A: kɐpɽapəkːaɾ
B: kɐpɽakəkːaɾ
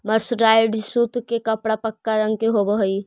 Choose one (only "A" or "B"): A